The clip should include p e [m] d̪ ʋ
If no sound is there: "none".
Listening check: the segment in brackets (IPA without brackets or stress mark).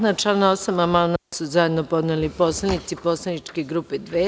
none